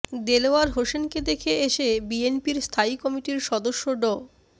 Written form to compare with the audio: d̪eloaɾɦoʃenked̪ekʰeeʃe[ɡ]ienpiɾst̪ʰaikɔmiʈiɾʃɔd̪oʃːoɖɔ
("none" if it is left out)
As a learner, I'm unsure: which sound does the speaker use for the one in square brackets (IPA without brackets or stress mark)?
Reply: b